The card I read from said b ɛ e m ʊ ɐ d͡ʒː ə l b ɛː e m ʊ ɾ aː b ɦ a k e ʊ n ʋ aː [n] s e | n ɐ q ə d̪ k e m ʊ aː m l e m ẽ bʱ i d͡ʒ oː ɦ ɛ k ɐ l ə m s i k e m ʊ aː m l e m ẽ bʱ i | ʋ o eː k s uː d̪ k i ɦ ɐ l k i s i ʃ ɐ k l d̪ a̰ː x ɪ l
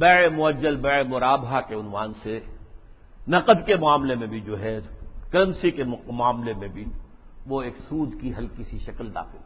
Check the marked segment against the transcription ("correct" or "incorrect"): correct